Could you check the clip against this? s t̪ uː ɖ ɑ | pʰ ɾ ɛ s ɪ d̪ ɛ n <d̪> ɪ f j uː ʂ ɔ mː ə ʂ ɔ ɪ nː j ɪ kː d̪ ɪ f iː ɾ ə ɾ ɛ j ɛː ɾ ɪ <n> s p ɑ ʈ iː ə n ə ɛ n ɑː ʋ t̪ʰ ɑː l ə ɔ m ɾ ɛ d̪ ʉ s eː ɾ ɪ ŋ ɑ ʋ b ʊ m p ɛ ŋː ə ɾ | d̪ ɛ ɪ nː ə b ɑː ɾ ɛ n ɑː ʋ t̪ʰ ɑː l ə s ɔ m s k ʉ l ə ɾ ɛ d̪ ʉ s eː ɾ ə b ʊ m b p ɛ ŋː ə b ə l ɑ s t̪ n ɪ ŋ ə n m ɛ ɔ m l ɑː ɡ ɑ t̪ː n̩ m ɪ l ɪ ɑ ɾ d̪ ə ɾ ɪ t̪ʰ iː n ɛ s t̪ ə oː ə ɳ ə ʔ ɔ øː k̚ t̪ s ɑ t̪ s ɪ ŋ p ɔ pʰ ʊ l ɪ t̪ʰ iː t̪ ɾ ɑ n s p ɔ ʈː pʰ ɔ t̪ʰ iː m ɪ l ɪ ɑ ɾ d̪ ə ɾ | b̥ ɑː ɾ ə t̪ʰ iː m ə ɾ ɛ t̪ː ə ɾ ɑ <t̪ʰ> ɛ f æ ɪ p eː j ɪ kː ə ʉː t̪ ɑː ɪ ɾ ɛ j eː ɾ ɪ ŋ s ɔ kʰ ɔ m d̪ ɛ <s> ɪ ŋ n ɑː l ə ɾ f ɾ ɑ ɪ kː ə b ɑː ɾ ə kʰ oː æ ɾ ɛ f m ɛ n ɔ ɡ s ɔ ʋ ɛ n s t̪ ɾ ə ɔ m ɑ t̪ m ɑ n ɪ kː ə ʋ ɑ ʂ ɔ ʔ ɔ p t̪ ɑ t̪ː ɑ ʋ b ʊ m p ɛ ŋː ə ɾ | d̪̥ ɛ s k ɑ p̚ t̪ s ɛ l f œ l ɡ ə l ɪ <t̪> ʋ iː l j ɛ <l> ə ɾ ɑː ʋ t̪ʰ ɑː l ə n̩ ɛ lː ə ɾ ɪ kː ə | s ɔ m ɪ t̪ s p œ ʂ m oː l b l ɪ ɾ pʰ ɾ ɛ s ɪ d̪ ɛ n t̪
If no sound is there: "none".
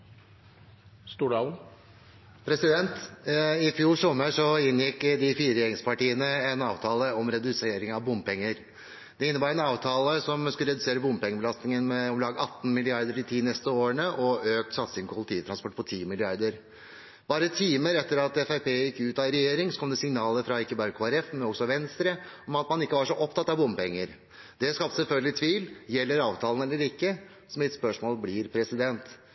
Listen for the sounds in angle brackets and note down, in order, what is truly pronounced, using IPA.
t̪, ŋ, t̪, s, t̪ʰ, lː

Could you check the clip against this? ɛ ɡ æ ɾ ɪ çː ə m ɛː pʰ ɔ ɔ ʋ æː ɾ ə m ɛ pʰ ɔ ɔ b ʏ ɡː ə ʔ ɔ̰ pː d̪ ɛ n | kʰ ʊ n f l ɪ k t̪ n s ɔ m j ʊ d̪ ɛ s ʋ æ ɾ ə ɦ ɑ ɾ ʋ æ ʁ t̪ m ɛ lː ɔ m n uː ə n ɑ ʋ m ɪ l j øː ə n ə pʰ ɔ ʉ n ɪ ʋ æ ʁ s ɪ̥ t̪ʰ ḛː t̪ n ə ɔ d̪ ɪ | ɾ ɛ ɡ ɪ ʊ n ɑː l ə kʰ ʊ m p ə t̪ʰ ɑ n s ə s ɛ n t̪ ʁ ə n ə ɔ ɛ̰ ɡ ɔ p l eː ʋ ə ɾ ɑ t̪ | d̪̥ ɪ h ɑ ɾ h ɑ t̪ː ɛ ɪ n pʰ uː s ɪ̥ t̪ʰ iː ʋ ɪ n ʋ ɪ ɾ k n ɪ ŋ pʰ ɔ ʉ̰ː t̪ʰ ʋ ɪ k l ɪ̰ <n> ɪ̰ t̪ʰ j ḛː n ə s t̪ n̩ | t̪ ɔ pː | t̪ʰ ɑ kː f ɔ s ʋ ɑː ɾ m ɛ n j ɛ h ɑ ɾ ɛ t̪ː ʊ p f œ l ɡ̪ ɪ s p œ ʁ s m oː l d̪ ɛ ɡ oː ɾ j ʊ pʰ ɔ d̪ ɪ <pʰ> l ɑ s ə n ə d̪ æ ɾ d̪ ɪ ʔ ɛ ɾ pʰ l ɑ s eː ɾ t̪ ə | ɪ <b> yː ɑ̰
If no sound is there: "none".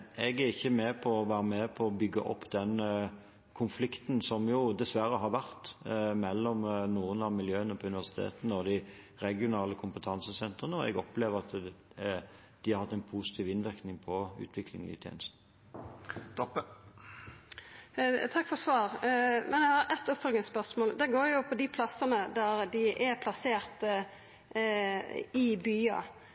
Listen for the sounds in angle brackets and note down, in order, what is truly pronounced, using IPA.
ŋ, pʰ, b

